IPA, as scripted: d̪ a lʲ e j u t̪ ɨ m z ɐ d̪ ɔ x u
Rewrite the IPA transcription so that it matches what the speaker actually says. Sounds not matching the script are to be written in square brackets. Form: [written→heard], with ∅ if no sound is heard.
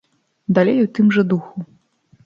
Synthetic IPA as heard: d̪ a lʲ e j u t̪ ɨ m [z→ʐ] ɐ d̪ [ɔ→u] x u